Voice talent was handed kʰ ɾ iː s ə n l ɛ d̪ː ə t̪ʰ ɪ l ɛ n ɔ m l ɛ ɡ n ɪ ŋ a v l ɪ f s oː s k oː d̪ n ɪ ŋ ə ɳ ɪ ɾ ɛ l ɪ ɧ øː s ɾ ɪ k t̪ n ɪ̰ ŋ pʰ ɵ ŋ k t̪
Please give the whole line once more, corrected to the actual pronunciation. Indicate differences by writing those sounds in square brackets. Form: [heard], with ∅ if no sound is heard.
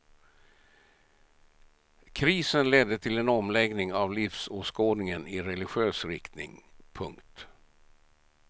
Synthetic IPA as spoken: kʰ ɾ iː s ə n l ɛ d̪ː ə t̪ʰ ɪ l ɛ n ɔ m l ɛ ɡ n ɪ ŋ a v l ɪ f s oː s k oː d̪ n ɪ ŋ ə [n] ɪ ɾ ɛ l ɪ ɧ øː s ɾ ɪ k t̪ n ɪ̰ ŋ pʰ ɵ ŋ k t̪

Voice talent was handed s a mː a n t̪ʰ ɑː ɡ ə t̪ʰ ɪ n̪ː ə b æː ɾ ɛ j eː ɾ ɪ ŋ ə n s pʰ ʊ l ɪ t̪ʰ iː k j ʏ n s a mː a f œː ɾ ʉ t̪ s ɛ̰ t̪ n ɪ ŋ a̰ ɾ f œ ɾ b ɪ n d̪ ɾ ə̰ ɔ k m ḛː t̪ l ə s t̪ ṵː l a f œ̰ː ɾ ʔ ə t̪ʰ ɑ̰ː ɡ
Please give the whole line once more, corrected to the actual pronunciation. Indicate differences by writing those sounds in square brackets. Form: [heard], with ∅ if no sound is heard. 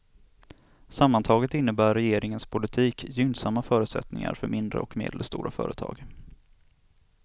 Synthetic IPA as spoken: s a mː a n t̪ʰ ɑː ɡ ə [t̪] ɪ n̪ː ə b æː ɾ ɛ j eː ɾ ɪ ŋ ə n s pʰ ʊ l ɪ t̪ʰ iː k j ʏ n s a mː a f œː ɾ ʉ t̪ s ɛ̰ t̪ n ɪ ŋ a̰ ɾ f œ ɾ [m] ɪ n d̪ ɾ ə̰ ɔ k m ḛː [d̪] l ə s t̪ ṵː [ɾ] a f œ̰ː ɾ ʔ ə t̪ʰ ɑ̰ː ɡ

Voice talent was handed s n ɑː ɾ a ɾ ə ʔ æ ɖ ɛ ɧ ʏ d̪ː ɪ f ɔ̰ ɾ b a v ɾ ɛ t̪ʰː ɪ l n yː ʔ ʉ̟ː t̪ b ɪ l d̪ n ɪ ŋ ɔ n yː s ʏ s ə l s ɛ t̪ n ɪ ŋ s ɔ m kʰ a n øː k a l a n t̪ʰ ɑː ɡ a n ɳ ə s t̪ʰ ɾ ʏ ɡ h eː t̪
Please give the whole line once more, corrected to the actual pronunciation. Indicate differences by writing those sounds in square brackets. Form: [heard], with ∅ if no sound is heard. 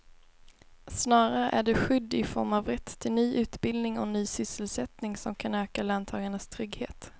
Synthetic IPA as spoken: s n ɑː ɾ a ɾ ə ʔ æ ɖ ɛ ɧ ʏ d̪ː ɪ f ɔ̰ ɾ [m] a v ɾ ɛ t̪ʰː ɪ l n yː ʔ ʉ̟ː t̪ b ɪ l d̪ n ɪ ŋ ɔ n yː s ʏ s ə l s ɛ t̪ n ɪ ŋ s ɔ m kʰ a n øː k a l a n t̪ʰ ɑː ɡ a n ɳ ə s t̪ʰ ɾ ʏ ɡ h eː t̪

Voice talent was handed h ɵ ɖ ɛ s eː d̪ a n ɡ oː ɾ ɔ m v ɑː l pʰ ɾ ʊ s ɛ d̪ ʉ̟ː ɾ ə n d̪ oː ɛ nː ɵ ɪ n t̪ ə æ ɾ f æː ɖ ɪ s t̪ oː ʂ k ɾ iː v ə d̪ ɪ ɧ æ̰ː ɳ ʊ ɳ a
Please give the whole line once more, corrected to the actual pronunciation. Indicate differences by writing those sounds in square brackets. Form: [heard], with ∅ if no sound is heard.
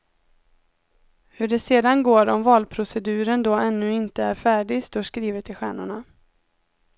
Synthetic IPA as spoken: h ɵ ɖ ɛ s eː d̪ a n ɡ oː ɾ ɔ m v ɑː l pʰ ɾ ʊ s ɛ d̪ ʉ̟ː ɾ ə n d̪ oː ɛ nː ɵ ɪ n t̪ ə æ ɾ f æː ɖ ɪ s t̪ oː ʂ k ɾ iː v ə [t̪] ɪ ɧ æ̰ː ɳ ʊ ɳ a

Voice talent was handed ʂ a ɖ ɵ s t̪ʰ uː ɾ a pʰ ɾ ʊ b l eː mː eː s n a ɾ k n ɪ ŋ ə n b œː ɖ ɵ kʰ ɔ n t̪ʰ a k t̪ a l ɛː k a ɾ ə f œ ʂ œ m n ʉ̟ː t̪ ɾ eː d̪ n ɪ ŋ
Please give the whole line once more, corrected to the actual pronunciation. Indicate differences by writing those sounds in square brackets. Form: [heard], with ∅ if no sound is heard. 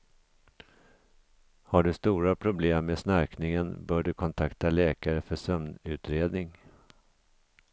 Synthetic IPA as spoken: [h] a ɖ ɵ s [t̪] uː ɾ a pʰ ɾ ʊ b l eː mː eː s n a ɾ k n ɪ ŋ ə n b œː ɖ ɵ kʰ ɔ n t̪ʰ a k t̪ a l ɛː k a ɾ ə f œ ʂ œ m n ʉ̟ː t̪ ɾ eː d̪ n ɪ ŋ

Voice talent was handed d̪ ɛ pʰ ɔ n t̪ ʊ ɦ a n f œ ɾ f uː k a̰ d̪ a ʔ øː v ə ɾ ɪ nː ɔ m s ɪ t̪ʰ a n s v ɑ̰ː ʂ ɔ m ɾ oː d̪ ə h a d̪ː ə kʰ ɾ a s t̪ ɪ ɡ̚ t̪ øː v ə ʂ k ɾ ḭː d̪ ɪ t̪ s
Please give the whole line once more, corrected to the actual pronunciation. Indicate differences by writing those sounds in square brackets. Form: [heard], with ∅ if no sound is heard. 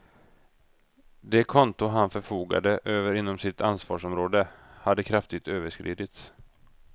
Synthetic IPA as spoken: d̪ ɛ [kʰ] ɔ n t̪ ʊ ɦ a n f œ ɾ f uː [ɡ] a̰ d̪ [ə] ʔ øː v ə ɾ ɪ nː ɔ m s ɪ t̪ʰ a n s v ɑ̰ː ʂ ɔ m ɾ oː d̪ ə h a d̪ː ə kʰ ɾ a [f] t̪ ɪ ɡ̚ t̪ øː v ə ʂ k ɾ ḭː d̪ ɪ t̪ s

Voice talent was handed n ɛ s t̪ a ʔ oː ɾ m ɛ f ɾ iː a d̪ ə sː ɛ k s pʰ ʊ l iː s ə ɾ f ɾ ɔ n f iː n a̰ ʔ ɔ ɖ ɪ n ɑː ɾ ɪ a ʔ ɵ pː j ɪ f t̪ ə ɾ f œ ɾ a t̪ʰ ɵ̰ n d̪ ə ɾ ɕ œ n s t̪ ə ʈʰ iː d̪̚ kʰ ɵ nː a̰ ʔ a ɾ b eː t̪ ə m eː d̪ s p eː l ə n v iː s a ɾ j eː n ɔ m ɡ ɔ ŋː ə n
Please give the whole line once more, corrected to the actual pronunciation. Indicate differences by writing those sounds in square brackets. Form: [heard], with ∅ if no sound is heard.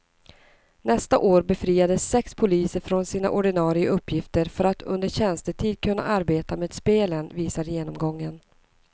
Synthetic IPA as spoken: n ɛ s t̪ a ʔ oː ɾ [b] ɛ f ɾ iː a d̪ ə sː ɛ k s pʰ ʊ l iː s ə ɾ f ɾ ɔ n [s] iː n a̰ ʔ ɔ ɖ ɪ n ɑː ɾ ɪ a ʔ ɵ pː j ɪ f t̪ ə ɾ f œ ɾ a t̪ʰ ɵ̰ n d̪ ə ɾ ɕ [ɛ] n s t̪ ə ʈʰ iː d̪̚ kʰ ɵ nː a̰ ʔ a ɾ b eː t̪ [a] m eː d̪ s p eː l ə n v iː s a ɾ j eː n ɔ m ɡ ɔ ŋː ə n

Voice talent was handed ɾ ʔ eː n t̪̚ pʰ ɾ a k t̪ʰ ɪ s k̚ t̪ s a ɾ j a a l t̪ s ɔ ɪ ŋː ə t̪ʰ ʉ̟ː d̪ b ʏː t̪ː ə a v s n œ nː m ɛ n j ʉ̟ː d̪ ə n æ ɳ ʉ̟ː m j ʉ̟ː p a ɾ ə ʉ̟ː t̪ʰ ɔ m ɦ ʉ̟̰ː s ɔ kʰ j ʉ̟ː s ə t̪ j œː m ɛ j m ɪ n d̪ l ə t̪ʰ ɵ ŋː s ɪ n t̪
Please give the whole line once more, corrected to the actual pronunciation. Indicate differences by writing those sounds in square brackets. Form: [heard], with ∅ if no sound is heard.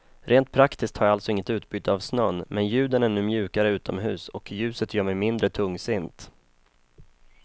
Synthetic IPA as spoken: ɾ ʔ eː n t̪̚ pʰ ɾ a k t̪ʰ ɪ s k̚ t̪ [h] a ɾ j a a l t̪ s ɔ ɪ ŋː ə [t̪] ʉ̟ː [t̪] b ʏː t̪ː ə a v s n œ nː m ɛ n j ʉ̟ː d̪ ə n æ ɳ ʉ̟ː m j ʉ̟ː [k] a ɾ ə ʉ̟ː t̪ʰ ɔ m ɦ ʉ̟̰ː s ɔ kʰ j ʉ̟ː s ə t̪ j œː m ɛ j m ɪ n d̪ [ɾ] ə t̪ʰ ɵ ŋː s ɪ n t̪

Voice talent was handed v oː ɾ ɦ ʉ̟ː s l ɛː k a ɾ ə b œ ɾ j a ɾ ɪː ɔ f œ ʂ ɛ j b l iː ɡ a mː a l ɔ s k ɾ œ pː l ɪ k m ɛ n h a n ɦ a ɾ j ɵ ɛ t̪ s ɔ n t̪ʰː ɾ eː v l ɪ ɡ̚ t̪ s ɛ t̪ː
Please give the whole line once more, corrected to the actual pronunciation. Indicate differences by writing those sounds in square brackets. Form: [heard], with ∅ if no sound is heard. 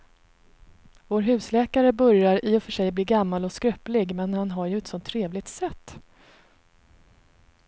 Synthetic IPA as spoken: v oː ɾ ɦ ʉ̟ː s l ɛː k a ɾ ə b œ ɾ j a ɾ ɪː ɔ f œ ʂ ɛ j b l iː ɡ a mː a l ɔ s k ɾ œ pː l ɪ [ɡ] m ɛ n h a n ɦ a ɾ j ɵ ɛ t̪ s ɔ n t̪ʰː ɾ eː v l ɪ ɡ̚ t̪ s ɛ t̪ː

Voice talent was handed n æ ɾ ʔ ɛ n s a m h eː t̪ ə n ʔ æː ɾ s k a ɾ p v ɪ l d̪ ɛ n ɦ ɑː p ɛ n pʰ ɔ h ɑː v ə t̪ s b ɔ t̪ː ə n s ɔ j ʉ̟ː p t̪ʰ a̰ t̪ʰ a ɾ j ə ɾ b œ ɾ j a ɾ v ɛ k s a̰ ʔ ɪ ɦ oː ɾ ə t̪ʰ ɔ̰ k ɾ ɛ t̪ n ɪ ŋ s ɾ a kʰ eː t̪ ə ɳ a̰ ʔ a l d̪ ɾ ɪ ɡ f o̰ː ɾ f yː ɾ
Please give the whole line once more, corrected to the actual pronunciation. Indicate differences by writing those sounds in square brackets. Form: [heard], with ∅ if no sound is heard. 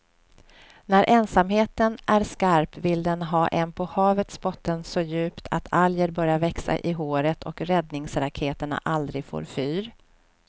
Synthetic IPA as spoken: n æ ɾ ʔ ɛ n s a m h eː t̪ ə n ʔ [æ] ɾ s k a ɾ p v ɪ l d̪ ɛ n ɦ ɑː [ʔ] ɛ n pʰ ɔ h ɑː v ə t̪ s b ɔ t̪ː ə n s ɔ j ʉ̟ː p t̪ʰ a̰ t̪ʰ a [l] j ə ɾ b œ ɾ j a ɾ v ɛ k s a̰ ʔ ɪ ɦ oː ɾ ə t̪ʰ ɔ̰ k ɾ ɛ [d̪] n ɪ ŋ s ɾ a kʰ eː t̪ ə ɳ a̰ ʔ a l d̪ ɾ ɪ ɡ f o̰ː ɾ f yː ɾ

